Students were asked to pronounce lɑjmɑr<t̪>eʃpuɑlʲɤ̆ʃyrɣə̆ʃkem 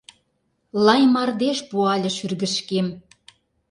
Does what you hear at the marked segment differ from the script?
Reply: yes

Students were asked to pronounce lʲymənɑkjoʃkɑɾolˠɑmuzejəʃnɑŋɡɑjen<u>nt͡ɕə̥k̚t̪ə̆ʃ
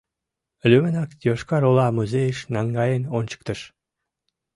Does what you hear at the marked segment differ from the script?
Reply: yes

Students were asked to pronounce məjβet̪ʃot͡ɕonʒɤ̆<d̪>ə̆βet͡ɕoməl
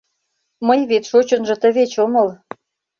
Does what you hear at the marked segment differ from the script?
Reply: yes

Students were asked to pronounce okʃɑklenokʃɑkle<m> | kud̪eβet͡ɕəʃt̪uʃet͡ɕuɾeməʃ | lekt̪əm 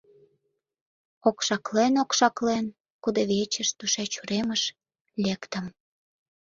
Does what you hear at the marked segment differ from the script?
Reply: yes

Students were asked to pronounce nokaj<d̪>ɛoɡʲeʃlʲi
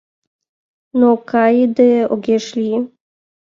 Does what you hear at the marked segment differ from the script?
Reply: no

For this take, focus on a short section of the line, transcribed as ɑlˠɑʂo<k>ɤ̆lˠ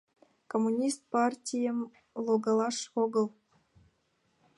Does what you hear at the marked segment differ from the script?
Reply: yes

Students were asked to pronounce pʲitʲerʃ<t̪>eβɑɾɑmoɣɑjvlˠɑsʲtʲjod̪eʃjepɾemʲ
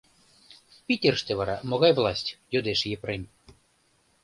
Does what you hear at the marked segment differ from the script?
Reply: no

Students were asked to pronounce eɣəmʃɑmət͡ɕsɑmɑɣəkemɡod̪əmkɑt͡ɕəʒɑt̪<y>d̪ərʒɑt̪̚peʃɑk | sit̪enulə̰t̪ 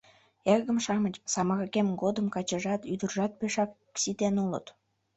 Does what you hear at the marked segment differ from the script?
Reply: no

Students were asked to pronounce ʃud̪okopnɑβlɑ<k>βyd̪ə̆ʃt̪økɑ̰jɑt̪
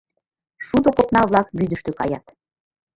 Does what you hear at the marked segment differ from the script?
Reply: no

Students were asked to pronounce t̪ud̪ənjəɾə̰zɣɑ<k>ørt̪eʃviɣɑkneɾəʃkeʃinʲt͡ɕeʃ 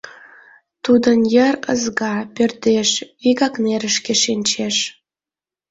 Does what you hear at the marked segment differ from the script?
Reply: yes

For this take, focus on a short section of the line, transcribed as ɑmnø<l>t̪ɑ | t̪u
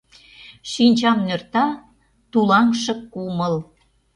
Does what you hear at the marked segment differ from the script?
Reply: yes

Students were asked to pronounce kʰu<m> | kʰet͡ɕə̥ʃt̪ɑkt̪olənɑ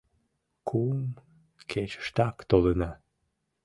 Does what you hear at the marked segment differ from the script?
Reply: no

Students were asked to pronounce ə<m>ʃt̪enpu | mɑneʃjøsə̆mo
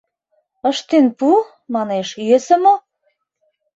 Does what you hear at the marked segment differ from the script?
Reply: yes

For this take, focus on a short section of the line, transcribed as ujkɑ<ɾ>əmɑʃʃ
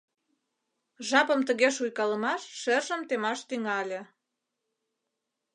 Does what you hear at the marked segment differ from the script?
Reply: yes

